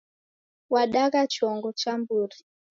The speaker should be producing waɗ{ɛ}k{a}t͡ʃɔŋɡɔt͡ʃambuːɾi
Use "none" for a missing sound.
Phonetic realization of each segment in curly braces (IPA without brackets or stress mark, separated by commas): a, a